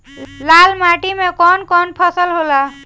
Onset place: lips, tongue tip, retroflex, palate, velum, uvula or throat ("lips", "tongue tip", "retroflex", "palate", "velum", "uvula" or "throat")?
tongue tip